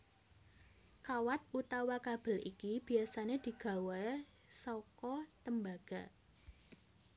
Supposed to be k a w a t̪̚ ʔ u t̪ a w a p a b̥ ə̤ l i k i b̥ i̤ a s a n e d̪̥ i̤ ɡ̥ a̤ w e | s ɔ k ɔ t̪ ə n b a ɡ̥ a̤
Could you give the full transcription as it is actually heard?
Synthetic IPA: k a w a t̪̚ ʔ u t̪ a w a k a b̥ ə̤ l i k i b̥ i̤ a s a n e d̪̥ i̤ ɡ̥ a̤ w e | s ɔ k ɔ t̪ ə m b a ɡ̥ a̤

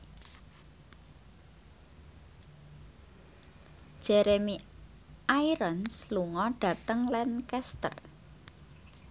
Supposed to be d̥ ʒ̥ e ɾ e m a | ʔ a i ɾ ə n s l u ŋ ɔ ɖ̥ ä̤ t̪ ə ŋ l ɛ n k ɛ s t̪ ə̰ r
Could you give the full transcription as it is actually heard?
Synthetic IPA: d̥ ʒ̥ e ɾ e m i | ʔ a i ɾ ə n s l u ŋ ɔ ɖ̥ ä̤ t̪ ə ŋ l ɛ n k ɛ s t̪ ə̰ r

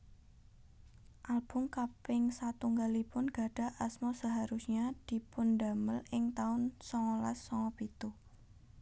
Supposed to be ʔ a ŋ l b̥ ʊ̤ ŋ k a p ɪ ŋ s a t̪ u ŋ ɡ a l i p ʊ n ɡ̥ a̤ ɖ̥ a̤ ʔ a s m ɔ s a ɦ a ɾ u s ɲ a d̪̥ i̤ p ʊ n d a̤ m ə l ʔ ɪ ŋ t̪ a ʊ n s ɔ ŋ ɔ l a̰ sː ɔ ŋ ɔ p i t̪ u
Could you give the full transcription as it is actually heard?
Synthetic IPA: ʔ a l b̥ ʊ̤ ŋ k a p ɪ ŋ s a t̪ u ŋ ɡ a l i p ʊ n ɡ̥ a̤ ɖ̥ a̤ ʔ a s m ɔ s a ɦ a ɾ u s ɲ a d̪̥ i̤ p ʊ n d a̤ m ə l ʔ ɪ ŋ t̪ a ʊ n s ɔ ŋ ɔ l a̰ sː ɔ ŋ ɔ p i t̪ u

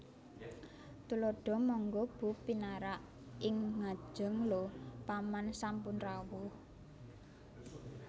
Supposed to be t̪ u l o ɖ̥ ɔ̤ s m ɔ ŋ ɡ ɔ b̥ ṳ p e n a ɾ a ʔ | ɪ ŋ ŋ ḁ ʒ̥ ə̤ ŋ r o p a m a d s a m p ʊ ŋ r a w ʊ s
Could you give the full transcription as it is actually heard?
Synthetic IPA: t̪ u l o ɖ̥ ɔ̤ m ɔ ŋ ɡ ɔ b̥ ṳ p i n a ɾ a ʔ | ɪ ŋ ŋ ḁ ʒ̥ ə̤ ŋ l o p a m a n s a m p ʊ n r a w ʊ h

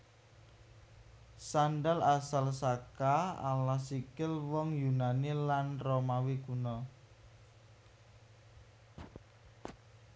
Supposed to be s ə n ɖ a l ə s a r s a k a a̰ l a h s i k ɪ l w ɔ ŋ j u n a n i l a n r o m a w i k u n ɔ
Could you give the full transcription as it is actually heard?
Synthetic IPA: s a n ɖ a l a s a l s a k a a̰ l a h s i k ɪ l w ɔ ŋ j u n a n i l a n r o m a w i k u n ɔ

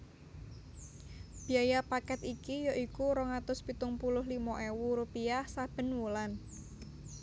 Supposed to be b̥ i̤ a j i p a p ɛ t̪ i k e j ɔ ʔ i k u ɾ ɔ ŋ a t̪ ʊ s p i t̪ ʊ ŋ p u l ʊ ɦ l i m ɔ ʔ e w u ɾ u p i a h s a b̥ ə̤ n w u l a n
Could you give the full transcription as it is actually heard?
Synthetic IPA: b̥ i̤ a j a p a k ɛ t̪ i k i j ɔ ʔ i k u ɾ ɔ ŋ a t̪ ʊ s p i t̪ ʊ ŋ p u l ʊ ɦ l i m ɔ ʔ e w u ɾ u p i a h s a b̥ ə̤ n w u l a n

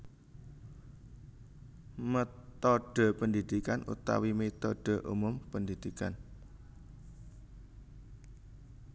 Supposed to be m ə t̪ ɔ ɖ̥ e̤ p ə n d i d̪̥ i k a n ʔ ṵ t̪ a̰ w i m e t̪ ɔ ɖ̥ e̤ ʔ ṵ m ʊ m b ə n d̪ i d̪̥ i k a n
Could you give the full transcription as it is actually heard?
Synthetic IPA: m ə t̪ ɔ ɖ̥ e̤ p ə n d i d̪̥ i k a n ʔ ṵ t̪ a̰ w i m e t̪ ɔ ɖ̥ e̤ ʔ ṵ m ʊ m p ə n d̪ i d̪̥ i k a n

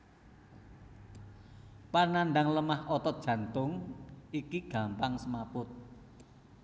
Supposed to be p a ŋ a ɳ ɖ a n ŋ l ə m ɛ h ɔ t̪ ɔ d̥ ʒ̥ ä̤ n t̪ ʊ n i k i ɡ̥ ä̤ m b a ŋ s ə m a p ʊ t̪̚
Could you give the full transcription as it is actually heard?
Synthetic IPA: p a n a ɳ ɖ a ŋ l ə m a h ɔ t̪ ɔ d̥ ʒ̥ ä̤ n t̪ ʊ ŋ i k i ɡ̥ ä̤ m p a ŋ s ə m a p ʊ t̪̚

